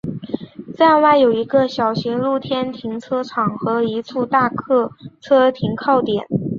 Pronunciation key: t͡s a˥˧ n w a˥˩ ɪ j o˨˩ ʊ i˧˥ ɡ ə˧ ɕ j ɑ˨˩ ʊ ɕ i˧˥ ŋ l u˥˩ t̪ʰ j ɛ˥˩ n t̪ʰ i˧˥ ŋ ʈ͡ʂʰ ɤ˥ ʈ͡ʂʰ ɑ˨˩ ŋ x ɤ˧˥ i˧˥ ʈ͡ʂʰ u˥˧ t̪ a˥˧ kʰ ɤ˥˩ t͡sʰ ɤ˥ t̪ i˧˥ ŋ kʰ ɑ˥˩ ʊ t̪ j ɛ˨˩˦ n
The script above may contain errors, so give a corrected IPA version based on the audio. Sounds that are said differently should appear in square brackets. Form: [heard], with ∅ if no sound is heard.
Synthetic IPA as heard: t͡s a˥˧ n w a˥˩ ɪ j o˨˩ ʊ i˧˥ ɡ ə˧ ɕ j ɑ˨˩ ʊ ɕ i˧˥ ŋ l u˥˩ t̪ʰ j [ɛ˥] n t̪ʰ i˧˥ ŋ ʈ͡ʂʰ ɤ˥ ʈ͡ʂʰ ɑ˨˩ ŋ x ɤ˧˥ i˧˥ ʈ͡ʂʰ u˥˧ t̪ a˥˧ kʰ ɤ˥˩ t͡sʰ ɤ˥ [t̪ʰ] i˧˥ ŋ kʰ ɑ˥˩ ʊ t̪ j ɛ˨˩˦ n